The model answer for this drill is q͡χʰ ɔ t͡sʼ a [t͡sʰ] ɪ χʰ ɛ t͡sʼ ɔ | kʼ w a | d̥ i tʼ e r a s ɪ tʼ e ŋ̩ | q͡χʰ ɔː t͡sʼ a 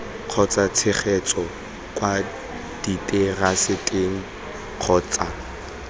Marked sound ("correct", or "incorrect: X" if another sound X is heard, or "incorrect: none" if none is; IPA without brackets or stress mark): correct